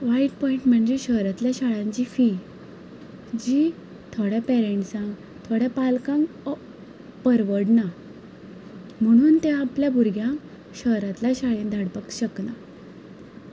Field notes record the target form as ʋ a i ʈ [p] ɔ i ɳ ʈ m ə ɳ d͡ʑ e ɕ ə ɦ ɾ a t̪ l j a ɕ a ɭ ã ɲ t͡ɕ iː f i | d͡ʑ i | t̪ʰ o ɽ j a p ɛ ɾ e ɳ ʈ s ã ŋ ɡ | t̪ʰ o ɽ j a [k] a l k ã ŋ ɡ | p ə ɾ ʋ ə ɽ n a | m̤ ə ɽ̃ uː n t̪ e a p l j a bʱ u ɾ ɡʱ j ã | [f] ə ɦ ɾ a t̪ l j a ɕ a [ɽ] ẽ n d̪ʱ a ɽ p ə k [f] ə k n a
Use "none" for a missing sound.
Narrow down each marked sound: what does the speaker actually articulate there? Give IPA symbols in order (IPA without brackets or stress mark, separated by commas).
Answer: p, p, ɕ, ɭ, ɕ